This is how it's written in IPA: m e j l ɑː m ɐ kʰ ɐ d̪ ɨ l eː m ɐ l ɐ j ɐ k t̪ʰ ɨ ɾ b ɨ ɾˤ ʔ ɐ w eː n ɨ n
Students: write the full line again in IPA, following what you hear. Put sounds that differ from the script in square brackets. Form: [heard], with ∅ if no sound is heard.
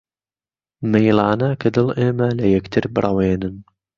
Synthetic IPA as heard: m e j l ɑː [n] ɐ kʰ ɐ d̪ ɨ l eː m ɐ l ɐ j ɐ k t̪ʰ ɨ ɾ b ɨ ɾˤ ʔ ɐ w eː n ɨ n